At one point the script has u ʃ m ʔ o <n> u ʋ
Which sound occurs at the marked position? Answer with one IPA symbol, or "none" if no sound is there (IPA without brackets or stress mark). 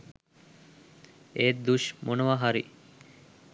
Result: n